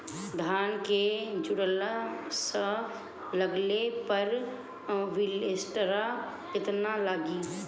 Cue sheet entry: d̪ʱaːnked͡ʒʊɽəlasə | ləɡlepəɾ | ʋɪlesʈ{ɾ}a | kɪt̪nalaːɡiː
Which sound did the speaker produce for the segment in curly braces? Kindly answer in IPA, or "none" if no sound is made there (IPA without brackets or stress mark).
ɾ